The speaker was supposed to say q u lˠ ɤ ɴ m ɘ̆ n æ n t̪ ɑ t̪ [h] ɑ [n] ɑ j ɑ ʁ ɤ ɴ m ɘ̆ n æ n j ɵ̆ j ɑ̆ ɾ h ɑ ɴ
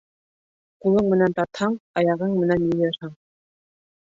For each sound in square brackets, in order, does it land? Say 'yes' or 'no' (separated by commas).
yes, no